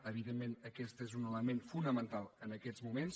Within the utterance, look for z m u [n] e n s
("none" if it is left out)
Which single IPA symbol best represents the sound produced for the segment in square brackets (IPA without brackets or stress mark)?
m